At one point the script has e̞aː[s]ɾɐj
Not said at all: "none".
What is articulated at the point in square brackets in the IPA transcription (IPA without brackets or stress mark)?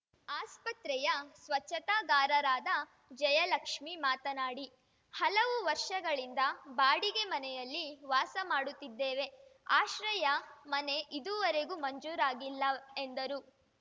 ʃ